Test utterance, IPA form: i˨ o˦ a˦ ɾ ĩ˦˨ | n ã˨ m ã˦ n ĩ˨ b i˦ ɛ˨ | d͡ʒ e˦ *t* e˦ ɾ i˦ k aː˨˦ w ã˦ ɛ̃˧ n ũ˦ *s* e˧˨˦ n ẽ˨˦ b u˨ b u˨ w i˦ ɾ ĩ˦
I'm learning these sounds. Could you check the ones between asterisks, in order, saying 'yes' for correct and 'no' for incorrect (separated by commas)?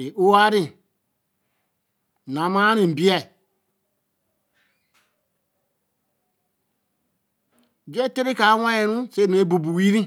yes, yes